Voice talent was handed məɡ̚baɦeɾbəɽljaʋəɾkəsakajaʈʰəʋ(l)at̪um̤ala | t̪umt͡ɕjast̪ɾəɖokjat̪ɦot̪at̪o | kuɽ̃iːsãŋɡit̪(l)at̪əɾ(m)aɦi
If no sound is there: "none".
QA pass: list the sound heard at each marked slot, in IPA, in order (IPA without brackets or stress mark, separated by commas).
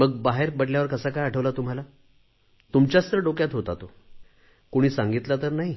l, l, n